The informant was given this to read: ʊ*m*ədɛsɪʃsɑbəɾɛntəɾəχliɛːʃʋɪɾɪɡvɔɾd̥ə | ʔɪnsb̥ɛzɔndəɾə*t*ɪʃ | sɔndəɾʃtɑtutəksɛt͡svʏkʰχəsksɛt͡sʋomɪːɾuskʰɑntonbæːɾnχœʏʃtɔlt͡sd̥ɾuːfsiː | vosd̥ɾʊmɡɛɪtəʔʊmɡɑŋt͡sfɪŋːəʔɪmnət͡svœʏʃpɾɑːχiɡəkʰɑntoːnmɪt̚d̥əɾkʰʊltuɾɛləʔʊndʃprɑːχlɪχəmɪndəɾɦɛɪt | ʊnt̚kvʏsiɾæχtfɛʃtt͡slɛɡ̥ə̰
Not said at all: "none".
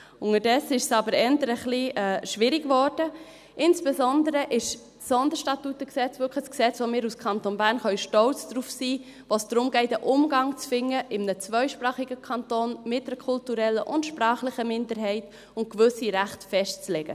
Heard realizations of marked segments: ŋ, ʔ

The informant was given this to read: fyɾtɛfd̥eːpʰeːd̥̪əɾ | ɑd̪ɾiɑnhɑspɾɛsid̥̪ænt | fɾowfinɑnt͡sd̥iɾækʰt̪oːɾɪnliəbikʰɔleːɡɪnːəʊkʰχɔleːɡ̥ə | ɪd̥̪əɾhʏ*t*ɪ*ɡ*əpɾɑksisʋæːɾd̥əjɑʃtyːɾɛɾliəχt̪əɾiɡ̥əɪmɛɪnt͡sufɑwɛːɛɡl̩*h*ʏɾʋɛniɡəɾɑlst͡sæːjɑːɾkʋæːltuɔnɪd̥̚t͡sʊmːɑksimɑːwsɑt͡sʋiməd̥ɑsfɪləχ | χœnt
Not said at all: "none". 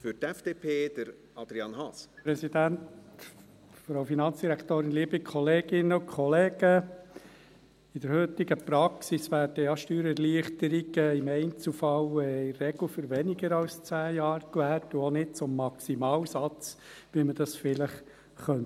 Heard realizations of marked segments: t, ɡ, f

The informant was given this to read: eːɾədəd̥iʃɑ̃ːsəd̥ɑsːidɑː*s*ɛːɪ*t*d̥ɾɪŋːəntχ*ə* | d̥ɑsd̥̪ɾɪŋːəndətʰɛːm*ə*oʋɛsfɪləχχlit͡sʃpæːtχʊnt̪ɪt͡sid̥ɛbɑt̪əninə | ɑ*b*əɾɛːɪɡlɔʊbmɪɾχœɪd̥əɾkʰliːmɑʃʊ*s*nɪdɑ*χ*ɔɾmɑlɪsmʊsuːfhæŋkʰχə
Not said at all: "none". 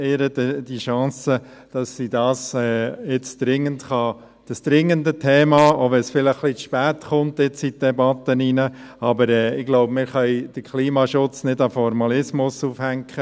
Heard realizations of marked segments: s, t͡s, ɑ, ɑ, b, t͡s, f

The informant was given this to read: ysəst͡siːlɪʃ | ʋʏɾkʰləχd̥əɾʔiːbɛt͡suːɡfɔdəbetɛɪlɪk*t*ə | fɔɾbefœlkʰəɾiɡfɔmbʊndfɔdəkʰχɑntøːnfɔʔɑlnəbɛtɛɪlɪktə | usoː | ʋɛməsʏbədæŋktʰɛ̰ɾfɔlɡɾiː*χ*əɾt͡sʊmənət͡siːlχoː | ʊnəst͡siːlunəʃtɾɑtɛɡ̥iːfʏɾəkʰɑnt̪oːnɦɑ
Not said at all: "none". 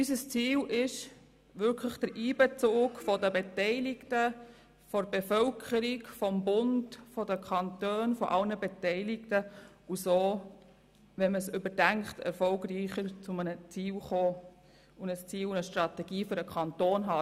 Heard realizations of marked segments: t, χ

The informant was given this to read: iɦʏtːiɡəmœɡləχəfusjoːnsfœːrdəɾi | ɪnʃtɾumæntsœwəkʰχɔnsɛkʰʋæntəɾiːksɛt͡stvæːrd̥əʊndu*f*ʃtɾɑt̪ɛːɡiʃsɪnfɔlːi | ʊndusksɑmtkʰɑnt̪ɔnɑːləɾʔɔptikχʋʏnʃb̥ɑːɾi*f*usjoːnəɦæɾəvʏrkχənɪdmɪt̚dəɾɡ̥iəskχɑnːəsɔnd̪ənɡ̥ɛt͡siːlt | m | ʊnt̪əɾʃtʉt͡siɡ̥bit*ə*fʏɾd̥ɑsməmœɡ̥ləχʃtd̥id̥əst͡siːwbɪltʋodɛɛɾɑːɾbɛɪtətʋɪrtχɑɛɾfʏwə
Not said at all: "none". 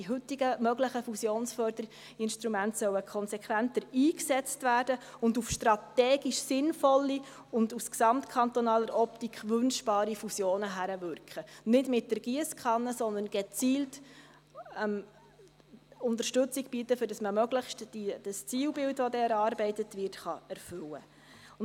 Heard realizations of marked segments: f, f, ə

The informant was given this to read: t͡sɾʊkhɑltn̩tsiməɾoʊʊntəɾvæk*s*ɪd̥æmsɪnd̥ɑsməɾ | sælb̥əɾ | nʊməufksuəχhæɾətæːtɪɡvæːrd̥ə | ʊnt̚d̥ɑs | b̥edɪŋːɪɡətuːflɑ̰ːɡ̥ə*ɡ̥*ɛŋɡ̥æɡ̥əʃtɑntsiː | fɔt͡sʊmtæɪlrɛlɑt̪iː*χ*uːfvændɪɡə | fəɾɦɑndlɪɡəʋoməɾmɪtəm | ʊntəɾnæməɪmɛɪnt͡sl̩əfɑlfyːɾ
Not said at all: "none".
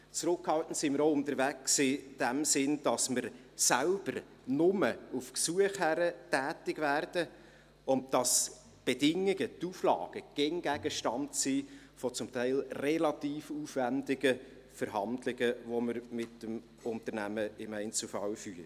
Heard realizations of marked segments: s, ɡ̥, f

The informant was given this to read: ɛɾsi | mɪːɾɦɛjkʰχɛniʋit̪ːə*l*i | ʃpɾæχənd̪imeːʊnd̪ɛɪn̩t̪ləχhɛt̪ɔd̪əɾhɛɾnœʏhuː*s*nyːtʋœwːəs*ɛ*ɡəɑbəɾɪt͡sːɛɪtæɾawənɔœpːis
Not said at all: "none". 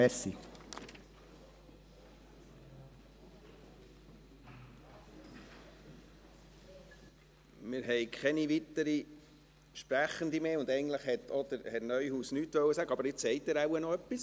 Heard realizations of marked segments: ɾ, s, æ

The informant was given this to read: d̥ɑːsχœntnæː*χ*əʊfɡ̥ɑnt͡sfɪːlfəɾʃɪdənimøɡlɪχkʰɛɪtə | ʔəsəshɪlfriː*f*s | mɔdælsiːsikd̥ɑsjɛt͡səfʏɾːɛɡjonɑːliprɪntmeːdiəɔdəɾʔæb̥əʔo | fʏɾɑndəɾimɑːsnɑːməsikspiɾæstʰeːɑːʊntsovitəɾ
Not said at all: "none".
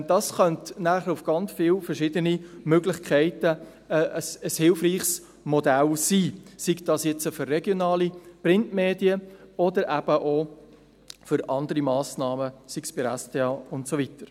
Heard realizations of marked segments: χ, χ

